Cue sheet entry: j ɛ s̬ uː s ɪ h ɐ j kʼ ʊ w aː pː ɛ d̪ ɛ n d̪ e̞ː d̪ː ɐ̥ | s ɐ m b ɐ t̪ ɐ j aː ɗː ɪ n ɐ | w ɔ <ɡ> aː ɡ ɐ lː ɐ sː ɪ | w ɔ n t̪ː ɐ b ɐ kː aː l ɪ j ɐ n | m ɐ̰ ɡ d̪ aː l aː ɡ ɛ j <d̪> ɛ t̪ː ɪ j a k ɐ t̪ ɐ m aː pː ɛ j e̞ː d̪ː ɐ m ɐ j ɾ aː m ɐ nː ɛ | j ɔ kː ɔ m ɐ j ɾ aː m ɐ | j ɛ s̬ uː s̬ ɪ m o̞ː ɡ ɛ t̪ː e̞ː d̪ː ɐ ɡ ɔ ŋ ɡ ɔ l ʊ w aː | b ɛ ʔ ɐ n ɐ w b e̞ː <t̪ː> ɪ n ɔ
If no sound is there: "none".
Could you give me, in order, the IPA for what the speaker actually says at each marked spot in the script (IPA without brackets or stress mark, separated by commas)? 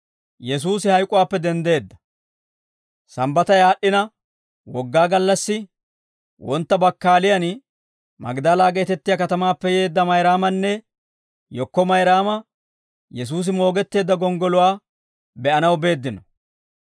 ɡː, t̪, d̪ː